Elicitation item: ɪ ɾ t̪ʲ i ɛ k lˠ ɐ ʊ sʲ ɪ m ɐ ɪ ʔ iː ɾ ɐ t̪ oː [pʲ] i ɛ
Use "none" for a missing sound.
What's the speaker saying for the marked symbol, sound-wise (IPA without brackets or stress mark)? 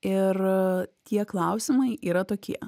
kʲ